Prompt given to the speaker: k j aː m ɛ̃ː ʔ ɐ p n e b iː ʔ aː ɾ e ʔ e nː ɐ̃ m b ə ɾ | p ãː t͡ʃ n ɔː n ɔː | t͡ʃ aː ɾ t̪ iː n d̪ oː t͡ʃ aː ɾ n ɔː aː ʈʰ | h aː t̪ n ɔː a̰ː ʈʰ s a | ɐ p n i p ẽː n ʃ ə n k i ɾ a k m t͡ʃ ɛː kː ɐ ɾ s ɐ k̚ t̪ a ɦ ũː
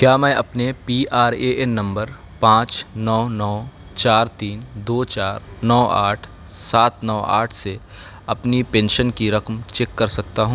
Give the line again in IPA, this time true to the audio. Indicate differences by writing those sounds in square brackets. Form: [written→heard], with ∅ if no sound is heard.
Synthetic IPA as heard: k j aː m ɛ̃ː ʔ ɐ p n e [b→p] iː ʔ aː ɾ e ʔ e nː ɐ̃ m b ə ɾ | p ãː t͡ʃ n ɔː n ɔː | t͡ʃ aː ɾ t̪ iː n d̪ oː t͡ʃ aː ɾ n ɔː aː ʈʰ | [h→s] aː t̪ n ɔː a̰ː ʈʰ s [a→e] | ɐ p n i p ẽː n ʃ ə n k i ɾ [a→ɐ] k m t͡ʃ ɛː kː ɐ ɾ s ɐ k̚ t̪ a ɦ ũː